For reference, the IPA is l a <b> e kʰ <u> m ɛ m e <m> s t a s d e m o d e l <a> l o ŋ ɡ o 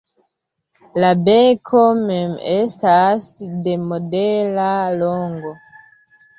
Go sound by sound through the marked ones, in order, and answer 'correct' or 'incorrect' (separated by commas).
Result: correct, incorrect, incorrect, correct